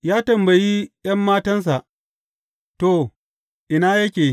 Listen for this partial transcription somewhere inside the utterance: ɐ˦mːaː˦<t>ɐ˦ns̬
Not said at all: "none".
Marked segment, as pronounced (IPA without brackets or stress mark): t